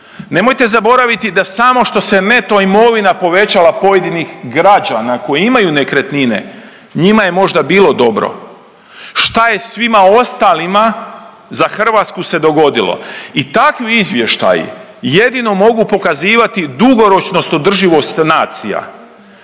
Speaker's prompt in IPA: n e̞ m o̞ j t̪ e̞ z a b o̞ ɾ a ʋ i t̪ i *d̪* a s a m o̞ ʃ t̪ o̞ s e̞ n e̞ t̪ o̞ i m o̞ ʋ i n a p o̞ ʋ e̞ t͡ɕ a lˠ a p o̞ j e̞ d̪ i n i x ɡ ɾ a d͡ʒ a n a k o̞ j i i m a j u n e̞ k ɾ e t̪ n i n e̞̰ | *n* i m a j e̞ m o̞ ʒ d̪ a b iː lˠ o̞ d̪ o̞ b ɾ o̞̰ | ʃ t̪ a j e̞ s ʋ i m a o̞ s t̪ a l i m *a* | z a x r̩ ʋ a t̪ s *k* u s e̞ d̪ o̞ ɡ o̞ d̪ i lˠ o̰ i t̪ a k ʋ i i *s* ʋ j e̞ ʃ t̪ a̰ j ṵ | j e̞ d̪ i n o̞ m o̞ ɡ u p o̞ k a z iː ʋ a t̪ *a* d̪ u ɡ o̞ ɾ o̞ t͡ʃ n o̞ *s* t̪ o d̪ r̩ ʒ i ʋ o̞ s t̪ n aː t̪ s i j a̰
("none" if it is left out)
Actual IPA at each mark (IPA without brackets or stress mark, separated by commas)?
d̪, ɲ, a, k, z, i, s